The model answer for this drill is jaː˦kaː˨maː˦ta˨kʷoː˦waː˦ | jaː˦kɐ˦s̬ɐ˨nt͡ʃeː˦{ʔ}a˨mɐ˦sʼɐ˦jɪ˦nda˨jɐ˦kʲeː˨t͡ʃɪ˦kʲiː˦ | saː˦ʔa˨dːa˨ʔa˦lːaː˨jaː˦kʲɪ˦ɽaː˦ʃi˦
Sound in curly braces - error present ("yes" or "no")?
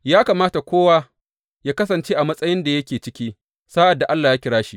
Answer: no